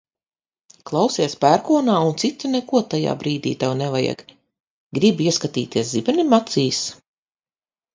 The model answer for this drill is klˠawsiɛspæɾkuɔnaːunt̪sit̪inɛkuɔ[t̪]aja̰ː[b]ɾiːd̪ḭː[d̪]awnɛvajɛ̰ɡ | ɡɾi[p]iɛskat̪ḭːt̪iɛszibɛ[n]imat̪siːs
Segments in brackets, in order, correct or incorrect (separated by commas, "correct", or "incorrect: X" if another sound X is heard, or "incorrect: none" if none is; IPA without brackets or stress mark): correct, correct, incorrect: t̪, incorrect: b, correct